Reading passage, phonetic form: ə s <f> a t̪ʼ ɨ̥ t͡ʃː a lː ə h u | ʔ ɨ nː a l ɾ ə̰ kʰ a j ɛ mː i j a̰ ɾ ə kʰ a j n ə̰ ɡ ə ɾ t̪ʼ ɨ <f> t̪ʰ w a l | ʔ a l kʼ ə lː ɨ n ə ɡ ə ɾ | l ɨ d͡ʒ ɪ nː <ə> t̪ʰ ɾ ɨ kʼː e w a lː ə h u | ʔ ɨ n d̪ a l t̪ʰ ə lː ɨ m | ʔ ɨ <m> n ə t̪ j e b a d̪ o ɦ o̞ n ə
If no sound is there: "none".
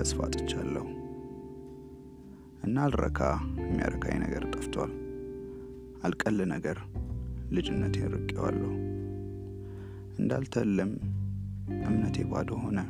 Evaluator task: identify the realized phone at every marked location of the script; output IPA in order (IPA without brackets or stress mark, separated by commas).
f, f, ə, m